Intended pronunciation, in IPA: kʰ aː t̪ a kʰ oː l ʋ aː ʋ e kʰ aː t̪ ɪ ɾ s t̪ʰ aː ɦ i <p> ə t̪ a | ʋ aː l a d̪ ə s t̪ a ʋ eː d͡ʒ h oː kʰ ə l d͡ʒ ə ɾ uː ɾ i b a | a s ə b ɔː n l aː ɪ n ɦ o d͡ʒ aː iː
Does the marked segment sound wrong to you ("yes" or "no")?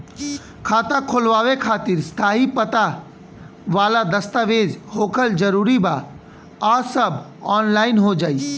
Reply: no